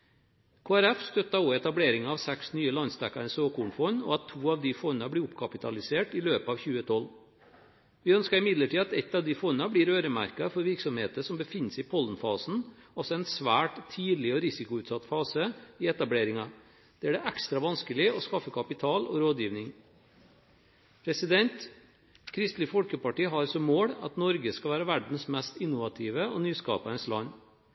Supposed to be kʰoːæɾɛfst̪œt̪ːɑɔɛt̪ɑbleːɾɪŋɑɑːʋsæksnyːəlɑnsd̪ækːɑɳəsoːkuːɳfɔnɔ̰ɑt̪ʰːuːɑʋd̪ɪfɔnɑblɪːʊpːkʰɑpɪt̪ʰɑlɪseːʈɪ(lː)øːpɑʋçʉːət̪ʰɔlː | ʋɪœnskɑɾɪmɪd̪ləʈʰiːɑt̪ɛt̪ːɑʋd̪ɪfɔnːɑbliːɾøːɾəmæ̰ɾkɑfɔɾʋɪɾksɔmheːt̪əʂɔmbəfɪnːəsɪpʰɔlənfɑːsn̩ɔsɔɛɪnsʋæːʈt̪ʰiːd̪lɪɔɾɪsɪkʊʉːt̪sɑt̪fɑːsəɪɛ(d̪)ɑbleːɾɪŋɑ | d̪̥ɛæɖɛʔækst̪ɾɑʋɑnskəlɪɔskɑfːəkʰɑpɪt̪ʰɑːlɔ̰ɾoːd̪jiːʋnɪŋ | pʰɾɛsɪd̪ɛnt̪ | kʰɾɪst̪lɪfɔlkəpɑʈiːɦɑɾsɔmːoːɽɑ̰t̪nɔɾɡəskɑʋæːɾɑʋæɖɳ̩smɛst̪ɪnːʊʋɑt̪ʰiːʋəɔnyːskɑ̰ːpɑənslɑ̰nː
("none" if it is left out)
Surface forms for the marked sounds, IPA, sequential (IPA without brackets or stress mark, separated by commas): l, t̪